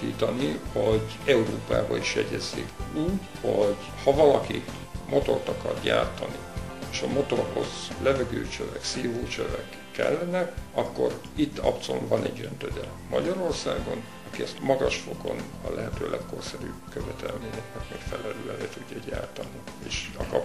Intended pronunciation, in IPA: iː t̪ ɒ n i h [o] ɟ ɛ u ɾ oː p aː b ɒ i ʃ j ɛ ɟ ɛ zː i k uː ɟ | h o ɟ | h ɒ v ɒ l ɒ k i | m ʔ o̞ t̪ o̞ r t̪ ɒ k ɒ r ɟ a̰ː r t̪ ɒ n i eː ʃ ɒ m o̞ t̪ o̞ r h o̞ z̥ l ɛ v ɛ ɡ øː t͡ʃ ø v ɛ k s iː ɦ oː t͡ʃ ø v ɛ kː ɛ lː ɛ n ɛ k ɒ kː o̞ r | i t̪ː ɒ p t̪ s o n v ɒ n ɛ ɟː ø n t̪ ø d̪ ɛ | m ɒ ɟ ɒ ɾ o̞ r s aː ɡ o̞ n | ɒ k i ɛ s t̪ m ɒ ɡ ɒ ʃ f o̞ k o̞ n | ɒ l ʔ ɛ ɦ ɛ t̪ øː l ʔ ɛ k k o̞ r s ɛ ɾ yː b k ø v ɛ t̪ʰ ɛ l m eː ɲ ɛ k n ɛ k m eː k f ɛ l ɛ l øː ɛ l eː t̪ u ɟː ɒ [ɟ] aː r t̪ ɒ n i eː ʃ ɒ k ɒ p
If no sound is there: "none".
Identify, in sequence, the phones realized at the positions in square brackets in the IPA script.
o, ɟ

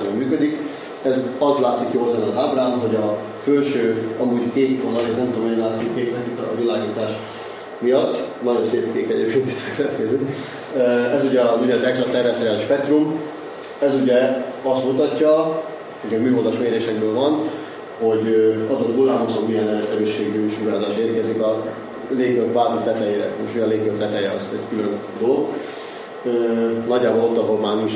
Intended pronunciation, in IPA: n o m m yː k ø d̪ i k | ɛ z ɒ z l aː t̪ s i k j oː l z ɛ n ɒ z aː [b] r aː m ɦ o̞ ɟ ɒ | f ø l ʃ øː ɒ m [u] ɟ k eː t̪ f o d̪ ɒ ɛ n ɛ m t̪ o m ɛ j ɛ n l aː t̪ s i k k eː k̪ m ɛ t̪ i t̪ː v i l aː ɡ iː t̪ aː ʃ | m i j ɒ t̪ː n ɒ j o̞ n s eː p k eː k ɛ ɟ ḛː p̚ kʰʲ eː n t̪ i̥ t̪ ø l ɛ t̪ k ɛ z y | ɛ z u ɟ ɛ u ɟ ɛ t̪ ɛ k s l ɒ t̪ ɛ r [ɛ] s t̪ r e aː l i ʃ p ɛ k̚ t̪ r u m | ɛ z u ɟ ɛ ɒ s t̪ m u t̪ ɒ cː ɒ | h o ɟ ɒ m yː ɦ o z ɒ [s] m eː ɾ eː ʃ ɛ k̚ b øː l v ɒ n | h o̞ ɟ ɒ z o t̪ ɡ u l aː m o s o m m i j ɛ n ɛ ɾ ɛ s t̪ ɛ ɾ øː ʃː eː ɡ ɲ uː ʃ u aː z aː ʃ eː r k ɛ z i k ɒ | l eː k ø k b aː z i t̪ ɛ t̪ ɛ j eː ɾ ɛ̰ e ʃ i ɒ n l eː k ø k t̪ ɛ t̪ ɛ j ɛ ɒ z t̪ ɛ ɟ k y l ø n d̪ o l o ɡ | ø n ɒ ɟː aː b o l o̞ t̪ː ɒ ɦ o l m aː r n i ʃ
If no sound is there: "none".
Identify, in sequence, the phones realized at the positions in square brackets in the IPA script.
b, uː, ɛ, ʃ

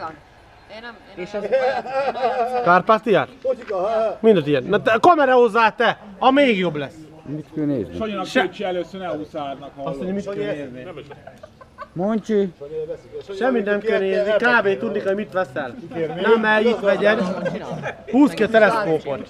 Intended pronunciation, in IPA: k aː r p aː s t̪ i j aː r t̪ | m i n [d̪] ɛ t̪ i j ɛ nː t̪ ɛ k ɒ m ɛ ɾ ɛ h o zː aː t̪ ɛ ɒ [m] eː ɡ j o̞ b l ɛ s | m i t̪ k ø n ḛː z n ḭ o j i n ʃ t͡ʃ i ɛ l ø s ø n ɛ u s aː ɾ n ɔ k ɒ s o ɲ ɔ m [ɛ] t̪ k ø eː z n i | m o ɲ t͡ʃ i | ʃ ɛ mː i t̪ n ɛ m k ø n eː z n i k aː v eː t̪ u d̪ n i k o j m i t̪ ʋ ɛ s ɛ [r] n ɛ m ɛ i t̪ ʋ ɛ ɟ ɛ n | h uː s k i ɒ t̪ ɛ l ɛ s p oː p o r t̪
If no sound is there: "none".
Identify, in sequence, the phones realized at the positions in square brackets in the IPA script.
d̪, m, i, l

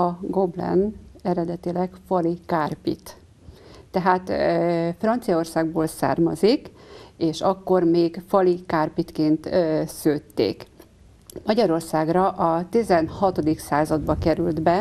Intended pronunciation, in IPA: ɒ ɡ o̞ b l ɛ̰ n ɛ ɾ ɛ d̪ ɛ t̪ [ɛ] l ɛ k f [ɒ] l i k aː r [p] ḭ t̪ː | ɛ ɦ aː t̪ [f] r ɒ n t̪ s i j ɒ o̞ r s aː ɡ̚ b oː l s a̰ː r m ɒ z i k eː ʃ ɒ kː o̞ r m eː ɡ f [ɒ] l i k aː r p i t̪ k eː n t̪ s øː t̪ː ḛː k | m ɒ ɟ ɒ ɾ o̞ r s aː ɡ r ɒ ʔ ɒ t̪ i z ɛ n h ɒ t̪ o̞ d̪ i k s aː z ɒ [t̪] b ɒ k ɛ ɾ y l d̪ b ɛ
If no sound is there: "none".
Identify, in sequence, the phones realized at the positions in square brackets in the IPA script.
i, ɒ, p, f, ɒ, d̪

